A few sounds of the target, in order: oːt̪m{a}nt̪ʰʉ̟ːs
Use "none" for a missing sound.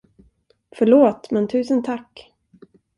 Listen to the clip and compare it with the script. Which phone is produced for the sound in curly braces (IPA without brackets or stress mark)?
ɛ